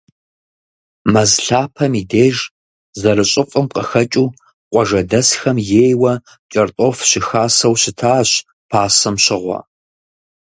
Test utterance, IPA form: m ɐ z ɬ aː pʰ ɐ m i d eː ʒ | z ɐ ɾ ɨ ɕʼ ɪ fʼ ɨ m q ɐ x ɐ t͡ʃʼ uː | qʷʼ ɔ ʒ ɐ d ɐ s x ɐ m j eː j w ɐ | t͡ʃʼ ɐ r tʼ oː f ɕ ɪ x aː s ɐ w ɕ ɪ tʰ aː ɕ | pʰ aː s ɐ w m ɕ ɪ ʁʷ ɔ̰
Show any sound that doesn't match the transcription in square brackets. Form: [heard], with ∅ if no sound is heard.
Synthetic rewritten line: m ɐ z ɬ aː pʰ ɐ m i d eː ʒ | z ɐ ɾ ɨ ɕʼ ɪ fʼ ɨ m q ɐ x ɐ t͡ʃʼ uː | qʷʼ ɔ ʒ ɐ d ɐ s x ɐ m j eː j w ɐ | t͡ʃʼ ɐ r tʼ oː f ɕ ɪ x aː s ɐ w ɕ ɪ tʰ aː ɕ | pʰ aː s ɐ [∅] m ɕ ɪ ʁʷ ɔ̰